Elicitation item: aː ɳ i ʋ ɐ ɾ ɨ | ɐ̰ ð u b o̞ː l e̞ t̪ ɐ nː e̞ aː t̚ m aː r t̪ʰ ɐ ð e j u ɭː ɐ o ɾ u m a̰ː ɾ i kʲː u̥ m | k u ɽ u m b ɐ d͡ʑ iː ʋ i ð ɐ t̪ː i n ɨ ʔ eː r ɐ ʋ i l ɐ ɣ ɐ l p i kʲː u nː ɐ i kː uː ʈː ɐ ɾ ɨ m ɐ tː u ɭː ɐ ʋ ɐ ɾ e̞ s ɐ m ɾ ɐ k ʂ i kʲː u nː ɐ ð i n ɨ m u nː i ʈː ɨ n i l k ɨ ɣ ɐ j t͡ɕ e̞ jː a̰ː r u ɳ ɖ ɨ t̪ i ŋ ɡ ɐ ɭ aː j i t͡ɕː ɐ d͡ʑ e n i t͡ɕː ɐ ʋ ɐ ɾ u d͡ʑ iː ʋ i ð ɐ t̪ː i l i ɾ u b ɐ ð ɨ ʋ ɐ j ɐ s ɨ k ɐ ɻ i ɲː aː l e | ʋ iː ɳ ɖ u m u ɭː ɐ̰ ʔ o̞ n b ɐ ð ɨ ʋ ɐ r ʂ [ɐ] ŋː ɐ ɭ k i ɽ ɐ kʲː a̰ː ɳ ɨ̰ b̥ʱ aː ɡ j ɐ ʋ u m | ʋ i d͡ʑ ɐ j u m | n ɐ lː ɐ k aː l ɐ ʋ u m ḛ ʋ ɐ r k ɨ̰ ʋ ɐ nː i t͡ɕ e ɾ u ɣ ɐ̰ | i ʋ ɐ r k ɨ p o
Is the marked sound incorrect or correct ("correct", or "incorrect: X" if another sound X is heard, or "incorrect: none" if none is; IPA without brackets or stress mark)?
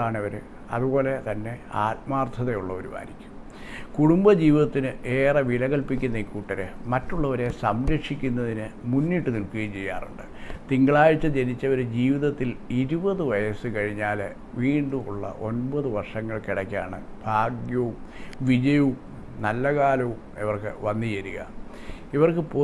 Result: correct